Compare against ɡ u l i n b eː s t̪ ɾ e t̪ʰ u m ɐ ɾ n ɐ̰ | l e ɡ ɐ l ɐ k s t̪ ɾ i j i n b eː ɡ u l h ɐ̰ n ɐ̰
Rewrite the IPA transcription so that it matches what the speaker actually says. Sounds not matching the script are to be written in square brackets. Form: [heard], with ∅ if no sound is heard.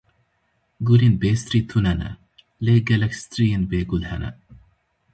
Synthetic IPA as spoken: ɡ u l i n b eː s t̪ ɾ [i] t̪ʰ u [n] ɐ [∅] n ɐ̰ | l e ɡ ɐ l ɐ k s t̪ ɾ i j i n b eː ɡ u l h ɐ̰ n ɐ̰